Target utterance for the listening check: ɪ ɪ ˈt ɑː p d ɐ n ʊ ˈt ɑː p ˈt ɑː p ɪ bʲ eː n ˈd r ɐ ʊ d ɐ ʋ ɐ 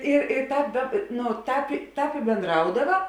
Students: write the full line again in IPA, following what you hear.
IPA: ɪ ɪ ˈt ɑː p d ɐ n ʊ ˈt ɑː p ˈt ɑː p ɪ bʲ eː n ˈd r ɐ ʊ d ɐ ʋ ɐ